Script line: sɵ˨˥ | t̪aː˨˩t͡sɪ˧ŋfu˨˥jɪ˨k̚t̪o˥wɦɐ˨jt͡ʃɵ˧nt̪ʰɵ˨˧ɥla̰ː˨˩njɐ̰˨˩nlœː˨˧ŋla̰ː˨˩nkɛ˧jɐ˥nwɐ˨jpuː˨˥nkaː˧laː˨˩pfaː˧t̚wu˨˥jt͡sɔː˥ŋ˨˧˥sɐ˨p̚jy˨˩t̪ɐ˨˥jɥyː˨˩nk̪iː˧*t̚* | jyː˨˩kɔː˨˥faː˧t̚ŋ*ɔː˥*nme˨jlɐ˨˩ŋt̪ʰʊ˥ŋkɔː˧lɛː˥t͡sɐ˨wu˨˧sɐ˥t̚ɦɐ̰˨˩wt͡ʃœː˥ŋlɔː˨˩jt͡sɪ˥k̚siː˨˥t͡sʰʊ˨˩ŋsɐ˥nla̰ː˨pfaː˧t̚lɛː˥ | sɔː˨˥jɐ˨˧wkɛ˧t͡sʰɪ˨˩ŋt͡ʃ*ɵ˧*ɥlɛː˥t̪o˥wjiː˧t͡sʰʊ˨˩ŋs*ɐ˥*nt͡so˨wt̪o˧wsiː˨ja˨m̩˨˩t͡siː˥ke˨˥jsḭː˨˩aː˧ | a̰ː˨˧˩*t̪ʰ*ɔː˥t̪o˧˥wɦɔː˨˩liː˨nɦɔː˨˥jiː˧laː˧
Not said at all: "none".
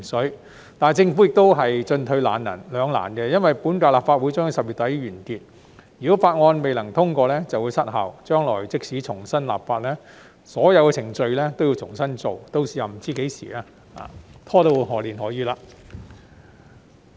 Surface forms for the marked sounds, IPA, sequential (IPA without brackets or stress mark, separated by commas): t̚, ɔː˧, ɵ˧, ɐ˥, t̪ʰ